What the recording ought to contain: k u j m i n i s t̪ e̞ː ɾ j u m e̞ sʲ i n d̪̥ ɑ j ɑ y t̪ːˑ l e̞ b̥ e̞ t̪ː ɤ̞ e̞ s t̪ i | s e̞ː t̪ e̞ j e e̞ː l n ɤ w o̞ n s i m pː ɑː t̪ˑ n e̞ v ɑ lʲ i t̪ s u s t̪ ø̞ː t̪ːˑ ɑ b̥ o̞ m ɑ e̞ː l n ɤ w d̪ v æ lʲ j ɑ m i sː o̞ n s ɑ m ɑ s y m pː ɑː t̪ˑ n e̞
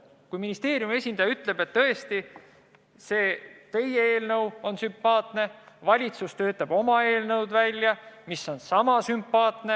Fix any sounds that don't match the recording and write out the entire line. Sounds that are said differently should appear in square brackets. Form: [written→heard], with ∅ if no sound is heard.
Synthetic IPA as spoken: k u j m i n i s t̪ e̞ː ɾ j u m e̞ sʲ i n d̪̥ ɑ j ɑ y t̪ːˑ l e̞ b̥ e̞ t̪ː ɤ̞ e̞ s t̪ i | s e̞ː t̪ e̞ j e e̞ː l n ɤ w o̞ n s [i→y] m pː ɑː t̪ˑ n e̞ v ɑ lʲ i t̪ s u s t̪ ø̞ː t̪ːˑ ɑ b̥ o̞ m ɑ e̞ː l n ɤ w d̪ v æ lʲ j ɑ m i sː o̞ n s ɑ m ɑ s y m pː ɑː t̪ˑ n e̞